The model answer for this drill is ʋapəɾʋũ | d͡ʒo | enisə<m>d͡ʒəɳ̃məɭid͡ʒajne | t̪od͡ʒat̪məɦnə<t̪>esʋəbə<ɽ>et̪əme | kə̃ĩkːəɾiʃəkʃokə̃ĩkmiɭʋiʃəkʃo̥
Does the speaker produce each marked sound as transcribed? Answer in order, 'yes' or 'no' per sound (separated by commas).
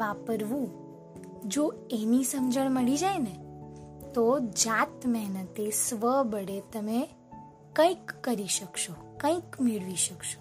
yes, yes, yes